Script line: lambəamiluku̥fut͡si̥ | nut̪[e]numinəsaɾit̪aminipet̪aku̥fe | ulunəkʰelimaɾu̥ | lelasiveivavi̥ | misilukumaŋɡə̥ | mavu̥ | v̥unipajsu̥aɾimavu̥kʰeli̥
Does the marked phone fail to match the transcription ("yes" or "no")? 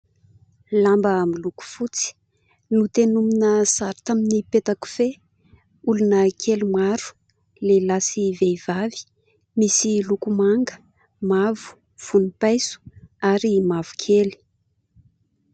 no